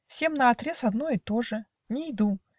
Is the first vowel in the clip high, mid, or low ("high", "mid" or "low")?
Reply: mid